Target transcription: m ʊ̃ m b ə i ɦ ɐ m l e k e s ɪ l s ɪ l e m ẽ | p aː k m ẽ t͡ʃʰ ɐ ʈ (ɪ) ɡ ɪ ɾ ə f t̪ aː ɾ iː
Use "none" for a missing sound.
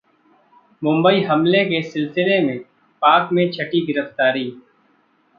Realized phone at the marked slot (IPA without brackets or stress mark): i